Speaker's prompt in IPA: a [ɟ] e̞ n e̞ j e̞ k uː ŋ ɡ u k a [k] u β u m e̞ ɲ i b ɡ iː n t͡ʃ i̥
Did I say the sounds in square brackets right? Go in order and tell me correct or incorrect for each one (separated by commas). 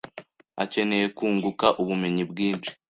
incorrect, incorrect